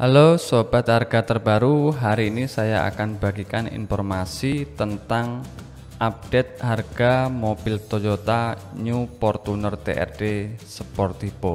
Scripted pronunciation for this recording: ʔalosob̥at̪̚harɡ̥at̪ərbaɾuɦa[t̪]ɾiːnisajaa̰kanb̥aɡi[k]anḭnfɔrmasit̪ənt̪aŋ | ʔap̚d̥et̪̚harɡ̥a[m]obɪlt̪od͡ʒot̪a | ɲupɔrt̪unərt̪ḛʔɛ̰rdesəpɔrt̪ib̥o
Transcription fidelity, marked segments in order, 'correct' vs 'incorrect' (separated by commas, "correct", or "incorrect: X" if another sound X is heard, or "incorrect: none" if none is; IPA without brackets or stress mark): incorrect: none, correct, correct